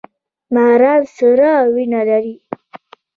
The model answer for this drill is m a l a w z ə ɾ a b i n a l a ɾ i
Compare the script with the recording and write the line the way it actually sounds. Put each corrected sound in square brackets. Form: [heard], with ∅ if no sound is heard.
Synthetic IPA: m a [ɾ] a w [s] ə ɾ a [w] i n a l a ɾ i